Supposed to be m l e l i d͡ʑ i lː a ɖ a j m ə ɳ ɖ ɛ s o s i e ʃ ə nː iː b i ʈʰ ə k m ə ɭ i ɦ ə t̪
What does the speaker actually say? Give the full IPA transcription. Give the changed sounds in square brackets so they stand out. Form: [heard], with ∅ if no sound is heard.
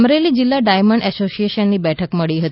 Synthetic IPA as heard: m [ɾ] e l i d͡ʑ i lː a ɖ a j m ə ɳ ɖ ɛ s o s i e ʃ ə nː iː b [ɛ] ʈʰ ə k m ə ɭ i ɦ ə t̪